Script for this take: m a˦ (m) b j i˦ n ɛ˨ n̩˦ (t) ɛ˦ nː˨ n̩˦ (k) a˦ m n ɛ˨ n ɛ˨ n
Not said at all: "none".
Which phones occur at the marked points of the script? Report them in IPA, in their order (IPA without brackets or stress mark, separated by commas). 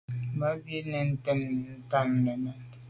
none, t, t